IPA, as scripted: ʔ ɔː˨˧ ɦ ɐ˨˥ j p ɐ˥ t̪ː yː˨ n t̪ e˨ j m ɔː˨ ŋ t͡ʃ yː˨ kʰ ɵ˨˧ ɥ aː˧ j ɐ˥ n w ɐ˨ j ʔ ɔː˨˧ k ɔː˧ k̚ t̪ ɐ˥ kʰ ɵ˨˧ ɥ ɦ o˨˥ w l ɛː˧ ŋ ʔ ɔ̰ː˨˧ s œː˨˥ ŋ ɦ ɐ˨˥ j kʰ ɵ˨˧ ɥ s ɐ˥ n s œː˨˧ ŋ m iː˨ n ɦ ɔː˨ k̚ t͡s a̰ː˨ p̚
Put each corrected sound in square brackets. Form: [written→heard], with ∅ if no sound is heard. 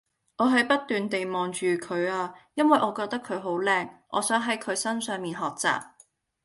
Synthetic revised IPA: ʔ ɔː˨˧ ɦ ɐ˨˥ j p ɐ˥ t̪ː yː˨ n t̪ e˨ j m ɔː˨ ŋ t͡ʃ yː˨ kʰ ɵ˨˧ ɥ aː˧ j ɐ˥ n w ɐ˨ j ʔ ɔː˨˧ k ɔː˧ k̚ t̪ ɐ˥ kʰ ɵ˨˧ ɥ ɦ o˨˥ w l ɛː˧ ŋ ʔ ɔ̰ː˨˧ s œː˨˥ ŋ ɦ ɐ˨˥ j kʰ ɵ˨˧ ɥ s ɐ˥ n s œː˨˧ ŋ m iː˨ n ɦ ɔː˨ k̚ t͡s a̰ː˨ p̚